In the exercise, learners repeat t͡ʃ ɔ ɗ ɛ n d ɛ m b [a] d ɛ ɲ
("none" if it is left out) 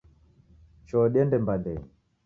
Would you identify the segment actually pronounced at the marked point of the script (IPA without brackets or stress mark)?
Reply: a